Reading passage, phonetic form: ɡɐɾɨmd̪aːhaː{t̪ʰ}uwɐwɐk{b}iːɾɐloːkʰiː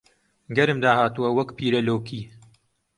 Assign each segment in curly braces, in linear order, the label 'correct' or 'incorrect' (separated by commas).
incorrect, incorrect